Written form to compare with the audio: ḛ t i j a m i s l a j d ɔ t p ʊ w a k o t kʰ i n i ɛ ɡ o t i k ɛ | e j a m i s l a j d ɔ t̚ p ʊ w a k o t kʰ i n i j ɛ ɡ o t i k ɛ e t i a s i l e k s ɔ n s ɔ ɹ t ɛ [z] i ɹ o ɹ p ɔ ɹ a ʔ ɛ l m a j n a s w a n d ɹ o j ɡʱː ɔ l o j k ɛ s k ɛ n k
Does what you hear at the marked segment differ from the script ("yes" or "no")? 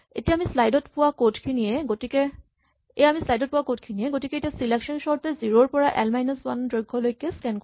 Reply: no